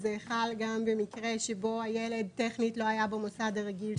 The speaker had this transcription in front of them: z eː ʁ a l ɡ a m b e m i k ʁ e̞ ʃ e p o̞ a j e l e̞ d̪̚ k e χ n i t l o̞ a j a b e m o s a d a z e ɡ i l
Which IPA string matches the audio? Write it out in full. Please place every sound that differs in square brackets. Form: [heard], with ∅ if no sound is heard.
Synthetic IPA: z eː [χ] a l ɡ a m b e m i k ʁ e̞ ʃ e [b] o̞ a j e l e̞ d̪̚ [t] e χ n i t l o̞ a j a b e m o s a d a [ʁ] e ɡ i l